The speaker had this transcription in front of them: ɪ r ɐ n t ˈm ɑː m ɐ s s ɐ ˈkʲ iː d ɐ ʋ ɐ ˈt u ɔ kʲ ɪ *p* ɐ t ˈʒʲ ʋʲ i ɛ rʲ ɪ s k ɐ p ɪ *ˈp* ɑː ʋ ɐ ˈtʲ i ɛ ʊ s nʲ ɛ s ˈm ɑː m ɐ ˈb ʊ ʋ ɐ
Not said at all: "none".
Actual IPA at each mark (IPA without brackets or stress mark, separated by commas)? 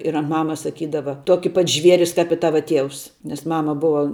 p, t